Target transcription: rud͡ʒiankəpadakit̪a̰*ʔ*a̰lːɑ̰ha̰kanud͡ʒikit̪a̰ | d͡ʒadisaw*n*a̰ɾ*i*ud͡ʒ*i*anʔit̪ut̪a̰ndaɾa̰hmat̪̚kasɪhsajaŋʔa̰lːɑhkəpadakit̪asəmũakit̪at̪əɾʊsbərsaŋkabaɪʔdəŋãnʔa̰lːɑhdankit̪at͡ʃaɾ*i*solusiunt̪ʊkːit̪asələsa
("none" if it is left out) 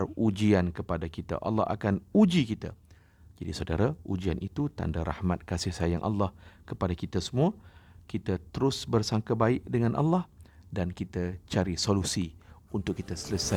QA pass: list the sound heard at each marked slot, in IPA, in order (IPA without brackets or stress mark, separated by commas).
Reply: ʔ, d, a, i, i